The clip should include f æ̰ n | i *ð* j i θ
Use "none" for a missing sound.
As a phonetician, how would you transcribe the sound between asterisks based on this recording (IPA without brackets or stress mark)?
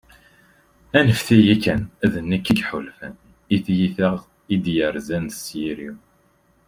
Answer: θ